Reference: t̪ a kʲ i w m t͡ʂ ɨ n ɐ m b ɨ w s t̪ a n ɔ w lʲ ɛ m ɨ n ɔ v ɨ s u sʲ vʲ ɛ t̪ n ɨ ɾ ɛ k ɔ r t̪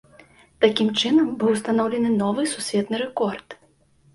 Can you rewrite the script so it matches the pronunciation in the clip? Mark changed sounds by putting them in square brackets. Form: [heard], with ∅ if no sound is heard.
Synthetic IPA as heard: t̪ a kʲ i [∅] m t͡ʂ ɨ n ɐ m b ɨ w s t̪ a n ɔ w lʲ ɛ [n] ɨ n ɔ v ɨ s u sʲ vʲ ɛ t̪ n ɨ ɾ ɛ k ɔ r t̪